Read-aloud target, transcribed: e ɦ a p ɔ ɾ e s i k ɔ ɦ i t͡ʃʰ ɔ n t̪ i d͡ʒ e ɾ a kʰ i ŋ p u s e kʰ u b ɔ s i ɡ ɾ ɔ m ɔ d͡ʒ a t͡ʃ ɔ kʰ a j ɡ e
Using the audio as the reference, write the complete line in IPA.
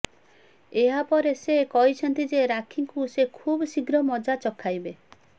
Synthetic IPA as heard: e ɦ a p ɔ ɾ e s e k ɔ ɦ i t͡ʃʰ ɔ n t̪ i d͡ʒ e ɾ a kʰ i ŋ k u s e kʰ u b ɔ s i ɡ ɾ ɔ m ɔ d͡ʒ a t͡ʃ ɔ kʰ a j b e